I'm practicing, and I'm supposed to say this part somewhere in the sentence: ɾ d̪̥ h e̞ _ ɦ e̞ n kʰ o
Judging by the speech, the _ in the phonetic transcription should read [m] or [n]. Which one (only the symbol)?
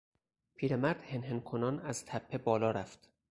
n